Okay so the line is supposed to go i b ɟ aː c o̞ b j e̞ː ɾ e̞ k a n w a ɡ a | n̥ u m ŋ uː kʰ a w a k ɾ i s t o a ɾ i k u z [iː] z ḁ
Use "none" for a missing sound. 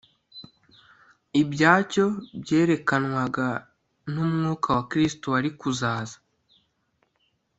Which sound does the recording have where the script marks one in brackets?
aː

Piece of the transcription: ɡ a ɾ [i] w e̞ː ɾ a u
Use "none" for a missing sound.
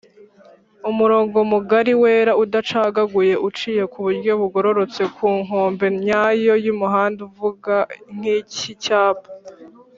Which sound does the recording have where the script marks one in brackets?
i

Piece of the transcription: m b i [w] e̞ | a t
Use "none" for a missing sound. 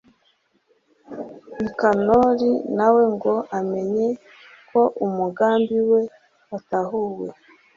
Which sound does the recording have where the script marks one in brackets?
w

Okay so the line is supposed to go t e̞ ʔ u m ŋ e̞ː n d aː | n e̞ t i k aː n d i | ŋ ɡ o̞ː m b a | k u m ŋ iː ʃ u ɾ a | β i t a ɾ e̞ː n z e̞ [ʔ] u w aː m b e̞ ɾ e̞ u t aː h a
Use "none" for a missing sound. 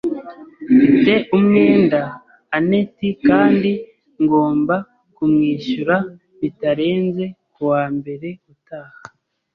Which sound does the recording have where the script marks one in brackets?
k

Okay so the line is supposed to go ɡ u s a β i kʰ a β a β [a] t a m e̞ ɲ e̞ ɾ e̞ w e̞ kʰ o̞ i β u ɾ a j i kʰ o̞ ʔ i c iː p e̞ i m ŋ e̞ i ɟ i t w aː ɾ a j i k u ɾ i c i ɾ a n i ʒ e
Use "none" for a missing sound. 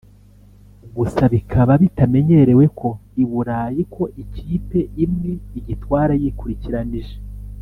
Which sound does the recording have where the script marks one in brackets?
i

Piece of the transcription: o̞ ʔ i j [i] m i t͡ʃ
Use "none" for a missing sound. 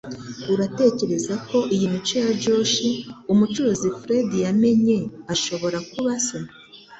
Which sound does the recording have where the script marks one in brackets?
i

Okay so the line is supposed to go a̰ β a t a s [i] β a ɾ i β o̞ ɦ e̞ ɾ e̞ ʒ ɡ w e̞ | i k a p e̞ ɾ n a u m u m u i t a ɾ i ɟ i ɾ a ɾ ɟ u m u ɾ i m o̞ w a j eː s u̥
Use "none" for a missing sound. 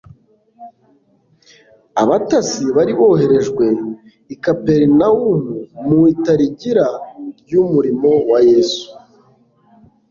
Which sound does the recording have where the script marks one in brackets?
i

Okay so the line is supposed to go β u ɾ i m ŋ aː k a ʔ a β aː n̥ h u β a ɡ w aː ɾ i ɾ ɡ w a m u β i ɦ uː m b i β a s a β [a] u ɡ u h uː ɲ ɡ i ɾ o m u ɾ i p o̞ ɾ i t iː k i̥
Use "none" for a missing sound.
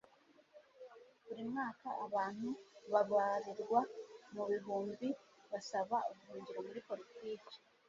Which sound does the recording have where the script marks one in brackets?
a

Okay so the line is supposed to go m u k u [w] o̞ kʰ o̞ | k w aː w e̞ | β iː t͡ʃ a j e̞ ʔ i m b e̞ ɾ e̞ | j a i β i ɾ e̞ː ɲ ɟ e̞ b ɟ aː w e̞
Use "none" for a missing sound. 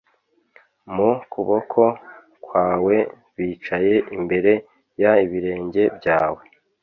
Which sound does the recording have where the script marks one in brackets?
β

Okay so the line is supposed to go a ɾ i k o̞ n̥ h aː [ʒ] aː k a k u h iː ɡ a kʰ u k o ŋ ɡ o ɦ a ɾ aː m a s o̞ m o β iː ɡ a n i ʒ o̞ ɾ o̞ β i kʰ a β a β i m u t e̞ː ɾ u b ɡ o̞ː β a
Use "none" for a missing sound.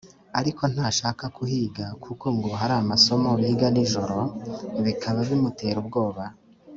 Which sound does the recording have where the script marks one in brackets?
ʃ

